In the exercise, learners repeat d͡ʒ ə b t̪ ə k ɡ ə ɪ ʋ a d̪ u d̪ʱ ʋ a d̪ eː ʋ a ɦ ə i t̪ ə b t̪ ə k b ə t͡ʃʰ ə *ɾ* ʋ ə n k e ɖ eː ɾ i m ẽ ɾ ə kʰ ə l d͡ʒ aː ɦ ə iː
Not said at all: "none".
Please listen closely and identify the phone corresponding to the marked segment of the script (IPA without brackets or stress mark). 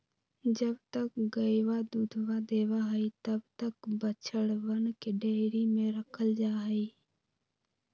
ɽ